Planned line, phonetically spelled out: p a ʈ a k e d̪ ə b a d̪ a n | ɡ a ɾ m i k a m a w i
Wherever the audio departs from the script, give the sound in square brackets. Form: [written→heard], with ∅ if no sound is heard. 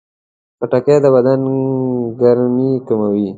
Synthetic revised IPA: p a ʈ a k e d̪ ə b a d̪ a n | ɡ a ɾ m i k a m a w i